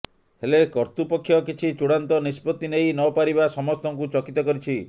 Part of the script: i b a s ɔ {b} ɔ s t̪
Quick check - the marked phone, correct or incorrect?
incorrect